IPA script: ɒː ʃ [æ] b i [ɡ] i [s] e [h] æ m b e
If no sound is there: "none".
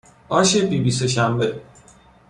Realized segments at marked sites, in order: e, b, s, ʃ

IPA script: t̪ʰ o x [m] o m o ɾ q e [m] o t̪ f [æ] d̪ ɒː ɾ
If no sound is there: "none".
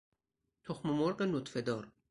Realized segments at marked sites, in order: m, n, e

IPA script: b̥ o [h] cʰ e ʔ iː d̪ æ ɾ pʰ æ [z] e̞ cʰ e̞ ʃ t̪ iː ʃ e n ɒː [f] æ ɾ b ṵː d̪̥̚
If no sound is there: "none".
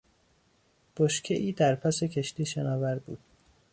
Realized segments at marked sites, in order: ʃ, s, v

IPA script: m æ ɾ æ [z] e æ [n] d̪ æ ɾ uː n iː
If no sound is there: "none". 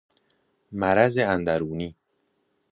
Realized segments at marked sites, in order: z, n

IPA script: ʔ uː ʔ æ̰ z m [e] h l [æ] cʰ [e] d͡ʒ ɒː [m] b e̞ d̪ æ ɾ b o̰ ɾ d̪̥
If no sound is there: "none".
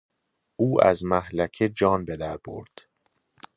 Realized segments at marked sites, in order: æ, æ, e, n

